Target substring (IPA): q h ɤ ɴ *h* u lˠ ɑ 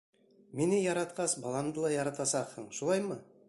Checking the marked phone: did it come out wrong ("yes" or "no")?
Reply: yes